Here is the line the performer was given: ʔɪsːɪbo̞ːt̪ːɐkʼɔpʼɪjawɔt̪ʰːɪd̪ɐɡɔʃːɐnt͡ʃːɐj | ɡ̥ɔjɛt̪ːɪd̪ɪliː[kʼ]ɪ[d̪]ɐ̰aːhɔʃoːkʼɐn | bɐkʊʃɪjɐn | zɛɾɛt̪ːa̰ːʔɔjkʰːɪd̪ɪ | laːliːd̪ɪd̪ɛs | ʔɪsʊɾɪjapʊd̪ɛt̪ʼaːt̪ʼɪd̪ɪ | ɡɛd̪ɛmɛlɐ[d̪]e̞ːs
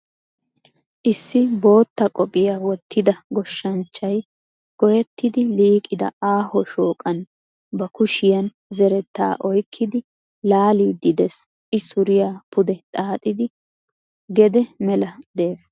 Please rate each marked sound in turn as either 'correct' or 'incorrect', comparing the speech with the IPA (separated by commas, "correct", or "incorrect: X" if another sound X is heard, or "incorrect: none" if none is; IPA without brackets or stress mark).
correct, correct, correct